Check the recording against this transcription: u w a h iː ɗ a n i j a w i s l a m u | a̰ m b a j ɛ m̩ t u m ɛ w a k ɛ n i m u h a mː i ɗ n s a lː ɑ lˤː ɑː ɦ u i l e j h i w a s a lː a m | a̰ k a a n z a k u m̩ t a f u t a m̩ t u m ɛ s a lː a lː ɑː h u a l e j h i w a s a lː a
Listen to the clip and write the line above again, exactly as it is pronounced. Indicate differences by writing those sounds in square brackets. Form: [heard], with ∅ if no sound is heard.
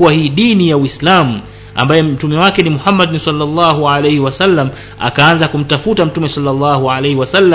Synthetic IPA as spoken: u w a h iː ɗ [i] n i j a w i s l a m u | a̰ m b a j ɛ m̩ t u m ɛ w a k ɛ n i m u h a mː [a] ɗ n s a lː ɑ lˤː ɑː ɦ u [a] l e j h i w a s a lː a m | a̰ k a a n z a k u m̩ t a f u t a m̩ t u m ɛ s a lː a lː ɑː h u a l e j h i w a s a lː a